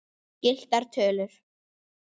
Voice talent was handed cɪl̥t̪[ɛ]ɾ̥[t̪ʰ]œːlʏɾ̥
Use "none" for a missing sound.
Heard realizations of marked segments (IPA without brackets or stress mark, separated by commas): a, t̪ʰ